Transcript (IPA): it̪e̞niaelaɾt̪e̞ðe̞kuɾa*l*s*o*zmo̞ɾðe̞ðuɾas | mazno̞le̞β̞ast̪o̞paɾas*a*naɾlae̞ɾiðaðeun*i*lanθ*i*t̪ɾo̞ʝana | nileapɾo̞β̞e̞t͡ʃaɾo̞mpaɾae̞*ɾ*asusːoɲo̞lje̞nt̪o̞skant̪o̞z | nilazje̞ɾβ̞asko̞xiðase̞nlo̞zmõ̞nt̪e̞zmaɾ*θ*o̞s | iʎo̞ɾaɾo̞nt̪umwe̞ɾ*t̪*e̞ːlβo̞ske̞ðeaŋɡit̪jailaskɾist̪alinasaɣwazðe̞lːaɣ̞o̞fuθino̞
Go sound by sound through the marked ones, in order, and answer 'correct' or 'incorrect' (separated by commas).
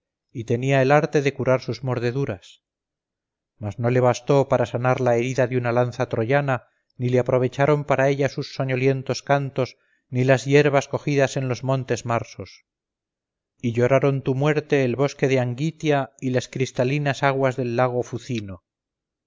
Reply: incorrect, incorrect, correct, incorrect, incorrect, incorrect, incorrect, correct